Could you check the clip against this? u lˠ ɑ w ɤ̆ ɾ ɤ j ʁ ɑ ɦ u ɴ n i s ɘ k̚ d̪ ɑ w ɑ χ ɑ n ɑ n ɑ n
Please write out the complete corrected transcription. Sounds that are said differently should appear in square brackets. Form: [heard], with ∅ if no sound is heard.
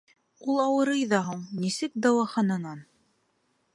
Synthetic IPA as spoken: u lˠ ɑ w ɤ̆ ɾ ɤ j [ð] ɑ ɦ u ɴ n i s ɘ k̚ d̪ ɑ w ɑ χ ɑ n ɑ n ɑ n